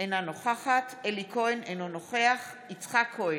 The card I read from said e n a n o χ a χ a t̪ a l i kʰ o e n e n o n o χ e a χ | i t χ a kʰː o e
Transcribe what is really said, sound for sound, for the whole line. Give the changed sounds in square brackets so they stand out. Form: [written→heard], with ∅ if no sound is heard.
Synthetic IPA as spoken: e n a n o χ a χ a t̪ [a→e] l i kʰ o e n e n o n o χ e a χ | i [t→t͡s] χ a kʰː o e